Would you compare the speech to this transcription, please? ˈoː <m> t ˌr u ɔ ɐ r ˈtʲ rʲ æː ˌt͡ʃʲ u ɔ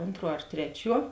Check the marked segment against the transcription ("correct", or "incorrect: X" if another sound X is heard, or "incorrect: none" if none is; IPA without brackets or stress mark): incorrect: n